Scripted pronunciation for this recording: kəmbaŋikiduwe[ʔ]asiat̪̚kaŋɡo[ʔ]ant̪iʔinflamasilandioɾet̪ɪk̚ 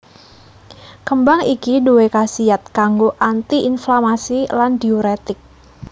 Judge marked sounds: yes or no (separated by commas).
no, yes